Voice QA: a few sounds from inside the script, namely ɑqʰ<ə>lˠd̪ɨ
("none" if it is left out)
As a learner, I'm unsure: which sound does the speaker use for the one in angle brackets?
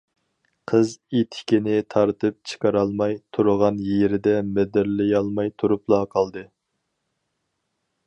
ɑ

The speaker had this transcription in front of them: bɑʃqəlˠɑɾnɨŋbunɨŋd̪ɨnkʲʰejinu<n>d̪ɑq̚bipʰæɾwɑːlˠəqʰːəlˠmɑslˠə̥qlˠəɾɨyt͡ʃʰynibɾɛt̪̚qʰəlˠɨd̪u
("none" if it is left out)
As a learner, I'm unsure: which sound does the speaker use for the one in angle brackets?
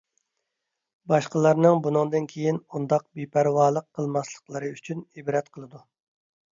n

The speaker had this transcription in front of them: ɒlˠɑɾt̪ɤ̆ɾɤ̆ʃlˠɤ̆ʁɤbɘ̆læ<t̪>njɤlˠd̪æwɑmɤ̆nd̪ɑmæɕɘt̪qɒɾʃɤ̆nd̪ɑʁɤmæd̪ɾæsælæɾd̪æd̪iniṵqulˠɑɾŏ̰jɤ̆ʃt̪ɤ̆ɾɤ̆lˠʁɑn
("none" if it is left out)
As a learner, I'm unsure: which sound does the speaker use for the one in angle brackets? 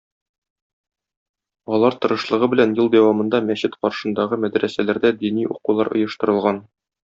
none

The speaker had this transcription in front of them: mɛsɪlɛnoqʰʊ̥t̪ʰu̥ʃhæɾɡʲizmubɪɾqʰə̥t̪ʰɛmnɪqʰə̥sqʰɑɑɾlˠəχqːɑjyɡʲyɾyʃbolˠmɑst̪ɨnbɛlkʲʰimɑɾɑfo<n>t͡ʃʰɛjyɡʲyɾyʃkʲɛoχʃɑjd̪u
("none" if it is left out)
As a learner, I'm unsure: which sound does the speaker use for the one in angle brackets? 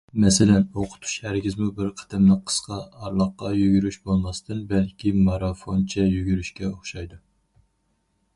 n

